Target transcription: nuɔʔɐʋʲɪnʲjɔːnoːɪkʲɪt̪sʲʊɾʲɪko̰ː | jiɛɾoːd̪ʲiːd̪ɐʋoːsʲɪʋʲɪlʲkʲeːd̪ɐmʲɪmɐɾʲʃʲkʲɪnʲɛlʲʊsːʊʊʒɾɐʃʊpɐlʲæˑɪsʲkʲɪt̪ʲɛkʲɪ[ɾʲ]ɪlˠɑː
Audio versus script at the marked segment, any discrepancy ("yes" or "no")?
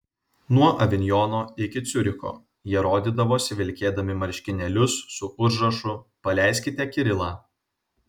no